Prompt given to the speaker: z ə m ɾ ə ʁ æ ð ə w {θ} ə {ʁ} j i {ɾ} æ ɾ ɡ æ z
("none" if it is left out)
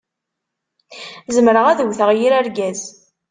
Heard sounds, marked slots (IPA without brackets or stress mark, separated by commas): θ, ʁ, ɾ